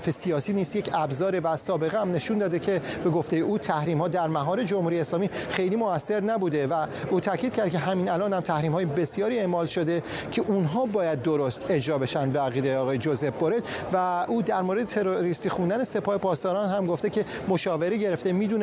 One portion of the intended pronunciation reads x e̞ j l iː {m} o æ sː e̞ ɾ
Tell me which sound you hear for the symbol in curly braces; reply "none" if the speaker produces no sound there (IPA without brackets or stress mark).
m